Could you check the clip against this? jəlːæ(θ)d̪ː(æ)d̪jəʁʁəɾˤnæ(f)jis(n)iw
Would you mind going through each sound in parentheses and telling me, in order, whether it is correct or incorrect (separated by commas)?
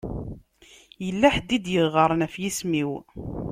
incorrect, incorrect, correct, incorrect